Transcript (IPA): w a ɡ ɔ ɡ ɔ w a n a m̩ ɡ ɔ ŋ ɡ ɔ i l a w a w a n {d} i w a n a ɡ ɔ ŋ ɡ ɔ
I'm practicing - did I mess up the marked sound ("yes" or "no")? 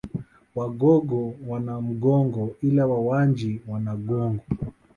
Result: yes